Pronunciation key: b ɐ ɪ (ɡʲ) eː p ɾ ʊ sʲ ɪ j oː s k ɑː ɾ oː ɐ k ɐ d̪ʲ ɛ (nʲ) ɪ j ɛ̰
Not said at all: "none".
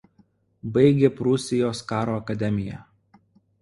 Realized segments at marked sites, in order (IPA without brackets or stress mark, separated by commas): ɡʲ, mʲ